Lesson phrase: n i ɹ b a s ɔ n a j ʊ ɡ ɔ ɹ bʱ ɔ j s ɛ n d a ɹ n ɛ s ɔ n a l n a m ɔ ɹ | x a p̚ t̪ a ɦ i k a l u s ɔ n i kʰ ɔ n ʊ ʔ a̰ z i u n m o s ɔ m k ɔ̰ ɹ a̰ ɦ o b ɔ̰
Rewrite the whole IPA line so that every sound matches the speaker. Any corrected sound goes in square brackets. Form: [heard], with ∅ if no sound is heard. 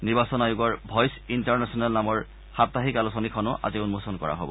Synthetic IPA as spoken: n i ɹ b a s ɔ n a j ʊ ɡ ɔ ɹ bʱ ɔ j s [i] n [t] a ɹ n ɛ s ɔ n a l n a m ɔ ɹ | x a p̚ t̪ a ɦ i k a l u s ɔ n i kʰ ɔ n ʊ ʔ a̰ z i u n m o s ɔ [n] k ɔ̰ ɹ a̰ ɦ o b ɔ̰